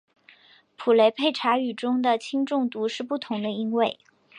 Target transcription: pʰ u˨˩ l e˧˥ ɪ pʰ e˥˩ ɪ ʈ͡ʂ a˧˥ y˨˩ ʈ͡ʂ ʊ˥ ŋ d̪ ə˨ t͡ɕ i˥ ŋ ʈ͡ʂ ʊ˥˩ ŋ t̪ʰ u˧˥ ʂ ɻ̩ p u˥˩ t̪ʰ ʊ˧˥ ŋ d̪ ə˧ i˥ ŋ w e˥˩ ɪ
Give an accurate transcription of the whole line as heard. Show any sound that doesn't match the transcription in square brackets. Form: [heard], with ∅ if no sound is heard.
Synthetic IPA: pʰ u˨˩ l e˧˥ ɪ pʰ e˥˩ ɪ [ʈ͡ʂʰ] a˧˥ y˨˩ ʈ͡ʂ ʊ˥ ŋ d̪ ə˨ [t͡ɕʰ] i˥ ŋ ʈ͡ʂ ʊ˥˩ ŋ [t̪] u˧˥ ʂ ɻ̩ p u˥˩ t̪ʰ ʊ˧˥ ŋ d̪ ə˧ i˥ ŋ w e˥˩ ɪ